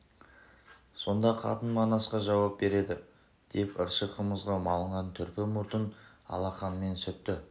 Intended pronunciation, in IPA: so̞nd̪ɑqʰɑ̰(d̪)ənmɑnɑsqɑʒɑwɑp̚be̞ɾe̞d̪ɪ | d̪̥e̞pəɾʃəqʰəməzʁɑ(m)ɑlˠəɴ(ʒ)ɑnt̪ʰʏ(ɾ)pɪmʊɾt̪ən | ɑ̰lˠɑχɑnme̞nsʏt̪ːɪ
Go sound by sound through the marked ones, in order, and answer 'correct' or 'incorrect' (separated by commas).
incorrect, correct, incorrect, correct